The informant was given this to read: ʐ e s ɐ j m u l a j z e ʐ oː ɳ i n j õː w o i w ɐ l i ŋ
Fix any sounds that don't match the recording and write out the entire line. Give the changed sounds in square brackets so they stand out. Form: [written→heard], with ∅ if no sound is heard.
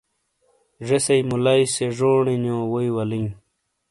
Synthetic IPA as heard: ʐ e s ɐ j m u l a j [z→s] e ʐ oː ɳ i n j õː w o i w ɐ l i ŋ

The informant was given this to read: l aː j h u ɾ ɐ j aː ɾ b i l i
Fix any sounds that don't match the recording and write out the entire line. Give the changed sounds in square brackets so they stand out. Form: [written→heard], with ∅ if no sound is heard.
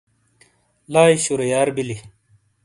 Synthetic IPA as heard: l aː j [h→ɕ] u ɾ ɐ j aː ɾ b i l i

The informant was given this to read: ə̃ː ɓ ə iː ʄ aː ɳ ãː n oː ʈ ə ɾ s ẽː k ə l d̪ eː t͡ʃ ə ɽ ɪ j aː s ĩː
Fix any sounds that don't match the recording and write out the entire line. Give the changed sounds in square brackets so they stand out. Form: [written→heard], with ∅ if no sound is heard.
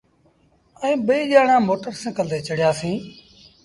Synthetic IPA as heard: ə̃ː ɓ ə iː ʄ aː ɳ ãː [n→m] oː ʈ ə ɾ s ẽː k ə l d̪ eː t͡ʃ ə ɽ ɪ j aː s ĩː

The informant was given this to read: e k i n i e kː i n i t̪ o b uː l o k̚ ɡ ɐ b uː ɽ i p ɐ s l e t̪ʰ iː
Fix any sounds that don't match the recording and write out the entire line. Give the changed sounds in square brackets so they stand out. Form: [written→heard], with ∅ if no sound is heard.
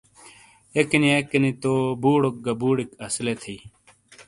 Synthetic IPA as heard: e k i n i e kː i n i t̪ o b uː [l→ɽ] o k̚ ɡ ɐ b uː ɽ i [p→k] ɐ s l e t̪ʰ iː

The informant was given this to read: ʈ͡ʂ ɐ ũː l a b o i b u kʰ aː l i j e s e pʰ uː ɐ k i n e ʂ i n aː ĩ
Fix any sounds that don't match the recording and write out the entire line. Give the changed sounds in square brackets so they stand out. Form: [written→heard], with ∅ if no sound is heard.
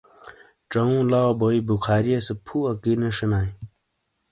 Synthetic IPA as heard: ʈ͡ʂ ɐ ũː l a b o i b u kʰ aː [l→ɾ] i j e s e pʰ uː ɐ k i n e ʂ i n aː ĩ

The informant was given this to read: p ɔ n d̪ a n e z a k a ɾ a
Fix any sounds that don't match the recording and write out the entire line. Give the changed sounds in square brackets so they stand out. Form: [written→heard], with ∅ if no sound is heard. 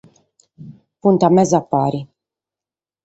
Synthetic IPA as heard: p [ɔ→u] n [d̪→t̪] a [n→m] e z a [k→p] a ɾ [a→i]

